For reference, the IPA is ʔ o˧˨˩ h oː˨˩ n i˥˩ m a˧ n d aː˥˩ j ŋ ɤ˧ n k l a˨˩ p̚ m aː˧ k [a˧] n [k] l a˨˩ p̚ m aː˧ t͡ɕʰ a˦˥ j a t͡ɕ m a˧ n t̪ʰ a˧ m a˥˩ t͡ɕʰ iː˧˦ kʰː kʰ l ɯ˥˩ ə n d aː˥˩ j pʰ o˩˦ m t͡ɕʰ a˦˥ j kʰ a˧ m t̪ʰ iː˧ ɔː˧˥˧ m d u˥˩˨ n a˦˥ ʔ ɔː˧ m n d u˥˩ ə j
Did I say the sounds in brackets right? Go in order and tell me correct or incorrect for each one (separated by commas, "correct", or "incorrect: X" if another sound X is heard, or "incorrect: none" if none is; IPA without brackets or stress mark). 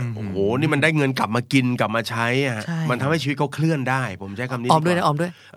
incorrect: i˧, correct